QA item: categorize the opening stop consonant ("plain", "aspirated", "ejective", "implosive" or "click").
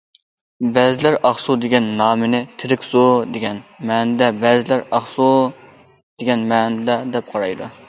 plain